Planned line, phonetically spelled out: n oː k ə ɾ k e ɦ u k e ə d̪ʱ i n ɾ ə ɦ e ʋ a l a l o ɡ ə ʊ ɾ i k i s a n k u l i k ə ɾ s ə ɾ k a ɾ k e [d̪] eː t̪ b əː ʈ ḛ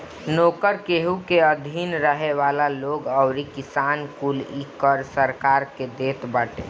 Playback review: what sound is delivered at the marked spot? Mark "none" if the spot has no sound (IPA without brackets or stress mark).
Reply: d̪